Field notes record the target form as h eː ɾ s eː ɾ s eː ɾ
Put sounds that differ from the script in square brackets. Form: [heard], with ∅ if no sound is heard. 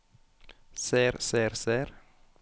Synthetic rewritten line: [s] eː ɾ s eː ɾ s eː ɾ